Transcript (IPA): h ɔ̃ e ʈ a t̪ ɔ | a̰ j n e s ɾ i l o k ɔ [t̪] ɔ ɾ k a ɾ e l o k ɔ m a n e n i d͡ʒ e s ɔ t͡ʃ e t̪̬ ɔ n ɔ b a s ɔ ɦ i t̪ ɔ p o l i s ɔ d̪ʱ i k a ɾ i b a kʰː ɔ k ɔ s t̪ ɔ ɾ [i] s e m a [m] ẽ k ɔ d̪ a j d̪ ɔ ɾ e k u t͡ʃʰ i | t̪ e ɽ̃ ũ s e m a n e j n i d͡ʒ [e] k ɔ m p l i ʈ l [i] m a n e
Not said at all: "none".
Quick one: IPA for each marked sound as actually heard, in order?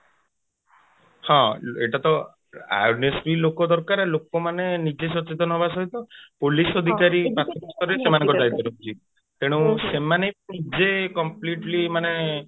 d̪, e, n, e, i

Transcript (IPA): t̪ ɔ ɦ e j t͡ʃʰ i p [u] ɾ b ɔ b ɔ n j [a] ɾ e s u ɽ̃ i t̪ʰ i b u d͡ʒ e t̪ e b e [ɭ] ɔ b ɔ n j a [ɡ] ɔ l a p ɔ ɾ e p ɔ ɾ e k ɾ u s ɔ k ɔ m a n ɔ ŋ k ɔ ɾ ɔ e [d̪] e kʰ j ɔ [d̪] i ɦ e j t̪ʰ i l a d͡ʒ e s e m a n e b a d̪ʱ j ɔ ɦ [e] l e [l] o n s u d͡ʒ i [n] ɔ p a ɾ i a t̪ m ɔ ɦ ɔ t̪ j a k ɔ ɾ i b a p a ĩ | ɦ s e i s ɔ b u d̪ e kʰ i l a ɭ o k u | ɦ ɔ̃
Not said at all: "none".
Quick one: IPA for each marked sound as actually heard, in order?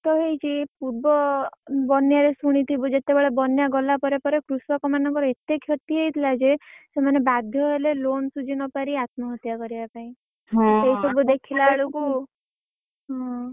u, a, ɭ, ɡ, t̪, t̪, e, l, n

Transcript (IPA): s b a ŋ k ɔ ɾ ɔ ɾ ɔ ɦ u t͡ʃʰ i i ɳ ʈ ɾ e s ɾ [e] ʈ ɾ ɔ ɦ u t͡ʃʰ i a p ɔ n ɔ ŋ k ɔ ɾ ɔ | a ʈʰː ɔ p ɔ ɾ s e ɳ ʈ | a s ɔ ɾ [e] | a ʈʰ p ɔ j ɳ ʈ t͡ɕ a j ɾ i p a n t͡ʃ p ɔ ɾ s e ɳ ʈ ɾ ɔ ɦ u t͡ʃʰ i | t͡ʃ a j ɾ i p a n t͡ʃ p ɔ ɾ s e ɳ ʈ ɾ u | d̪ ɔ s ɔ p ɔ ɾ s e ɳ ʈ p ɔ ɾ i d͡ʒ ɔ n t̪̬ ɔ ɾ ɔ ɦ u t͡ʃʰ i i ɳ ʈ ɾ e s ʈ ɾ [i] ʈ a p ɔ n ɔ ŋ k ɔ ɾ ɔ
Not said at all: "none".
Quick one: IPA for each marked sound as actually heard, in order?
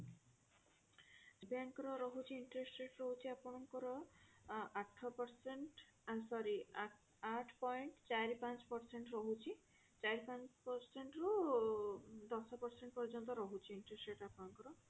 e, i, e

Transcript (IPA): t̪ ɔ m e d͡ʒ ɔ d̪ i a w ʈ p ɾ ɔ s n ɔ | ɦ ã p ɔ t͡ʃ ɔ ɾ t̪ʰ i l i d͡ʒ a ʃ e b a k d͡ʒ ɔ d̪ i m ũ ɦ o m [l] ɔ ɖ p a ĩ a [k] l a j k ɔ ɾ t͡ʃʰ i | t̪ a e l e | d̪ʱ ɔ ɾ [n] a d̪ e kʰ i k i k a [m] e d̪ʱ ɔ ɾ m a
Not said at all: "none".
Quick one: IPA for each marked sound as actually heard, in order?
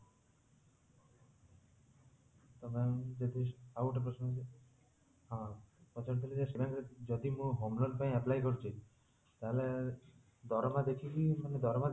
l, p, m, n

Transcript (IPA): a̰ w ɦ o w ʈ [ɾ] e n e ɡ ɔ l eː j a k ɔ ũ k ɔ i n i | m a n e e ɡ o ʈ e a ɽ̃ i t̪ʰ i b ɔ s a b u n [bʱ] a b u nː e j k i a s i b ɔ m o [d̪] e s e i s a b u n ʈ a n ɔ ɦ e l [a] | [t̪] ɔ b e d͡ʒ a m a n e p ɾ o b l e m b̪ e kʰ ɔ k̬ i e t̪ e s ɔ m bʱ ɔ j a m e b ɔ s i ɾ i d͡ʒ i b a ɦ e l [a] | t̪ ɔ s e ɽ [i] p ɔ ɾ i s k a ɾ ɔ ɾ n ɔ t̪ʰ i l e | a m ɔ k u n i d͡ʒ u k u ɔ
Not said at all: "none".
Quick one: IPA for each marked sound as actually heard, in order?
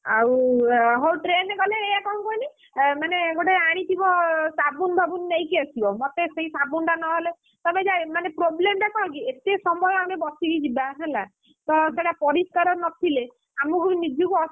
ɾ, bʱ, t̪, e, t̪, a, a

